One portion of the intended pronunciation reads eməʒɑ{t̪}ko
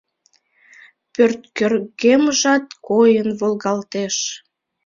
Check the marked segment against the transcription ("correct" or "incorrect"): correct